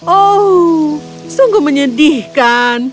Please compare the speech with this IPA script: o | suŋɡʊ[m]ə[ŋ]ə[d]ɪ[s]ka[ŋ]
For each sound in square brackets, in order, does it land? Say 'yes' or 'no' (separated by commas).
yes, no, yes, no, no